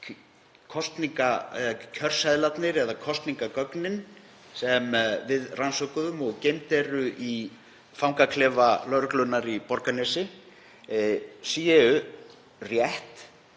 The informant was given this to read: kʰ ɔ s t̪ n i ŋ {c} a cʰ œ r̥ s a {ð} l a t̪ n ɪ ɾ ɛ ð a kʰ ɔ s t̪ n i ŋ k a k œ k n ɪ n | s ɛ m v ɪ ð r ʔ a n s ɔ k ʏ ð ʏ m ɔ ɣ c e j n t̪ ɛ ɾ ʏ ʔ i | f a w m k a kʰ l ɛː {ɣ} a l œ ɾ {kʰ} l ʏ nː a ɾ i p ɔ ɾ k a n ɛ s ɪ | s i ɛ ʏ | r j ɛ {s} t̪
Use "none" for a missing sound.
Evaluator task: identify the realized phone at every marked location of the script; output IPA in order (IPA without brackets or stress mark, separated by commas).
k, ð, v, k, h